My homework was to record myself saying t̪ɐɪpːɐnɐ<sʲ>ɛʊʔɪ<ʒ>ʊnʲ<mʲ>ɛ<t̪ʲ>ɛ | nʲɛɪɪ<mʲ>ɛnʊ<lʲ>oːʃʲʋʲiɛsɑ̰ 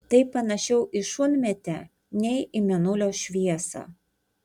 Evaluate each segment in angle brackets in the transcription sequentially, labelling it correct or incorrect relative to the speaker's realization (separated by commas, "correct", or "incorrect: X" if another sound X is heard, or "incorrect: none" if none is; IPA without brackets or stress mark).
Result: incorrect: ʃʲ, incorrect: ʃ, correct, correct, correct, correct